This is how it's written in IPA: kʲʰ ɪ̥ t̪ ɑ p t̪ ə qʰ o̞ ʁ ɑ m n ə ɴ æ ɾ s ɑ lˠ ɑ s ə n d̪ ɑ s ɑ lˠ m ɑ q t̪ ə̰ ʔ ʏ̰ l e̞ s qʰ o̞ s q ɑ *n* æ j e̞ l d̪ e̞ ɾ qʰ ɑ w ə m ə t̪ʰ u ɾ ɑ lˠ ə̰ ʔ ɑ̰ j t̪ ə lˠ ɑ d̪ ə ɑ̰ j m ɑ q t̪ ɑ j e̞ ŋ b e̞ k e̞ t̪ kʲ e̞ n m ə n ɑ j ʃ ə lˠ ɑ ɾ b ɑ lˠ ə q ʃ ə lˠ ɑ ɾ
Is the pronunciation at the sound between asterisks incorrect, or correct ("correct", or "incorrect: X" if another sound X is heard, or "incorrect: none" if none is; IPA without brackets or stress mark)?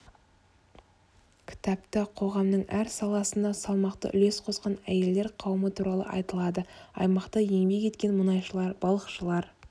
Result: correct